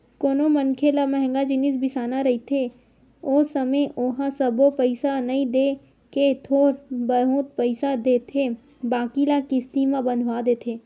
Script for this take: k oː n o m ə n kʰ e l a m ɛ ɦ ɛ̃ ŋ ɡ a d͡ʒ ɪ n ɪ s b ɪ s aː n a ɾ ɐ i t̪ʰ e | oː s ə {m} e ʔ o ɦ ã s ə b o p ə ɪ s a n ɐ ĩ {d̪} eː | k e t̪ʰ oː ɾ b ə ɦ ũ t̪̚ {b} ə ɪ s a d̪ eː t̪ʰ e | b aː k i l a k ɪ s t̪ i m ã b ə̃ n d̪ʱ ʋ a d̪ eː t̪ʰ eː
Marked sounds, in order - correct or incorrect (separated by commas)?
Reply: correct, correct, incorrect